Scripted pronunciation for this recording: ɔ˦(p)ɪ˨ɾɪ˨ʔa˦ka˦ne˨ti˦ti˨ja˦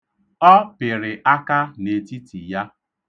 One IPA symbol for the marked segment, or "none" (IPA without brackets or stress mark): p